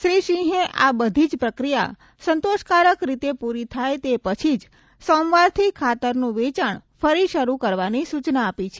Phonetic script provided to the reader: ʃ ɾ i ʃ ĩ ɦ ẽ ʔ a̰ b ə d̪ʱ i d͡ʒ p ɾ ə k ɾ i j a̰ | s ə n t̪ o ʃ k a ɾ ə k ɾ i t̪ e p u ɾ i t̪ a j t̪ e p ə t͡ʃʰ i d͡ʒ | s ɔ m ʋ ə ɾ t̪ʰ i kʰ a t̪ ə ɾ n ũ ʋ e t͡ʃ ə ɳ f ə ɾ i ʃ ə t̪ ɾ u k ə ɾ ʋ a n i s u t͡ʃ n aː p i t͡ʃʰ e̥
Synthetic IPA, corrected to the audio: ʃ ɾ i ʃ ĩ ɦ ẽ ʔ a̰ b ə d̪ʱ i d͡ʒ p ɾ ə k ɾ i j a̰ | s ə n t̪ o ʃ k a ɾ ə k ɾ i t̪ e p u ɾ i t̪ʰ a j t̪ e p ə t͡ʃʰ i d͡ʒ | s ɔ m ʋ a ɾ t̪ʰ i kʰ a t̪ ə ɾ n ũ ʋ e t͡ʃ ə ɳ f ə ɾ i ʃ ə ɾ u k ə ɾ ʋ a n i s u t͡ʃ n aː p i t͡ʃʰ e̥